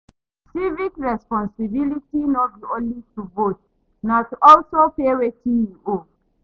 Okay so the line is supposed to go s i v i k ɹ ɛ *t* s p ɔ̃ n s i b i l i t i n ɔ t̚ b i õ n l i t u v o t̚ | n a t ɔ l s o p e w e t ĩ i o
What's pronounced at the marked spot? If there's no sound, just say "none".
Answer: none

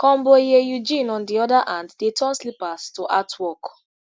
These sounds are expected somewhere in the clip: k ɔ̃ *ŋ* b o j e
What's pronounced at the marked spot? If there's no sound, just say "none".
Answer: m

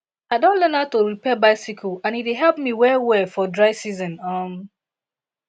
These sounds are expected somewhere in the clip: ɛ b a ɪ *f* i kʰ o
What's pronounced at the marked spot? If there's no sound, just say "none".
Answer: s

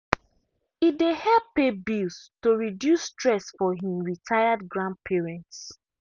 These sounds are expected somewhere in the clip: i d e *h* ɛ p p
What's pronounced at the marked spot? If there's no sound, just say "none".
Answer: h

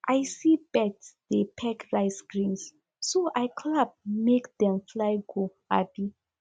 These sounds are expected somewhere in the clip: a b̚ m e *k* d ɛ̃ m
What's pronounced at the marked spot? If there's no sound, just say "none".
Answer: k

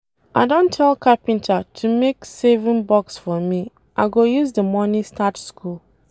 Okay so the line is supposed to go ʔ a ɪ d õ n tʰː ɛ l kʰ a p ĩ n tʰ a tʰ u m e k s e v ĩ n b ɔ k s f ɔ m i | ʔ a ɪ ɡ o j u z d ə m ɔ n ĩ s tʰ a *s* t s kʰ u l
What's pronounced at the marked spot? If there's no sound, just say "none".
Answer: none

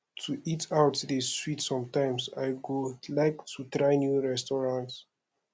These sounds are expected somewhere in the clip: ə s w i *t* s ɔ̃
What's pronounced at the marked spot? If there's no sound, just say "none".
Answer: t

